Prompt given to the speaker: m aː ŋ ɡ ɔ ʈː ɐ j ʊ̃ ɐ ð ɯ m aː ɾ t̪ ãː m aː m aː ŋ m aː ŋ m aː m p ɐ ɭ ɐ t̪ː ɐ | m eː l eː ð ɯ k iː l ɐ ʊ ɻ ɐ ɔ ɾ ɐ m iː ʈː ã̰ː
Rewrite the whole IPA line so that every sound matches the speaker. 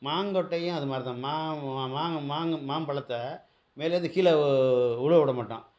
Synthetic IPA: m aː ŋ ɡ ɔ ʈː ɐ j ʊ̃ ɐ ð ɯ m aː ɾ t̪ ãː m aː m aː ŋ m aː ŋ m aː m p ɐ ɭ ɐ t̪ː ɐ | m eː l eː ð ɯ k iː l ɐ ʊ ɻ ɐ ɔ ɽ ɐ m aː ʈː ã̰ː

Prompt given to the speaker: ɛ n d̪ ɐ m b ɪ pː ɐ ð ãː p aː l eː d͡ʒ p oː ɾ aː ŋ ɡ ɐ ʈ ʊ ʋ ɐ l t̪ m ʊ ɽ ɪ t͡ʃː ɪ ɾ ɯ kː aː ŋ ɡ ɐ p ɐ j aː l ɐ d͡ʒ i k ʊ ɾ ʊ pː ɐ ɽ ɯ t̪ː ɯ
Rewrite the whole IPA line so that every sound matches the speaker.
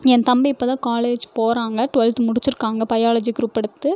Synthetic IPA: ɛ n t̪ ɐ m b ɪ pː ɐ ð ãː k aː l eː d͡ʒ p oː ɾ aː ŋ ɡ ɐ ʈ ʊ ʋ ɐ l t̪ m ʊ ɽ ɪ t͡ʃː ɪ ɾ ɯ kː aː ŋ ɡ ɐ p ɐ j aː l ɐ d͡ʒ i k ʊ ɾ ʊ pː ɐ ɽ ɯ t̪ː ɯ

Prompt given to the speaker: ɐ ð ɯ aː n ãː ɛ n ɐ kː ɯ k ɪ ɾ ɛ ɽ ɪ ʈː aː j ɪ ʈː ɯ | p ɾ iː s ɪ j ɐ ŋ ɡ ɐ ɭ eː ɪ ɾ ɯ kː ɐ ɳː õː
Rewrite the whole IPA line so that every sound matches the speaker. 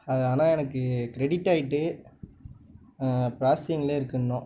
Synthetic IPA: ɐ ð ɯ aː n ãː ɛ n ɐ kː ɯ k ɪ ɾ ɛ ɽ ɪ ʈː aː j ɪ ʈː ɯ | p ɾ aː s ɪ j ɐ ŋ ɡ ɐ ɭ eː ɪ ɾ ɯ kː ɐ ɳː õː

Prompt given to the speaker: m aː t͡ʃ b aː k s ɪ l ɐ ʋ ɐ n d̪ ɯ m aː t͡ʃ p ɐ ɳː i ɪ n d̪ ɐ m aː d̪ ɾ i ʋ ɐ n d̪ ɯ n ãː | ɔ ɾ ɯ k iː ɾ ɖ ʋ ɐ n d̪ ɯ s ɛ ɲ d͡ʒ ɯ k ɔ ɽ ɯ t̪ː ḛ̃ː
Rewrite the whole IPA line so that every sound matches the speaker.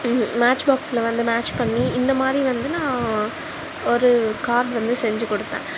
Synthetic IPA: m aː t͡ʃ b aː k s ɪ l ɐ ʋ ɐ n d̪ ɯ m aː t͡ʃ p ɐ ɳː i ɪ n d̪ ɐ m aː d̪ ɾ i ʋ ɐ n d̪ ɯ n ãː | ɔ ɾ ɯ k aː ɾ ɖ ʋ ɐ n d̪ ɯ s ɛ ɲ d͡ʒ ɯ k ɔ ɽ ɯ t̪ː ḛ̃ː

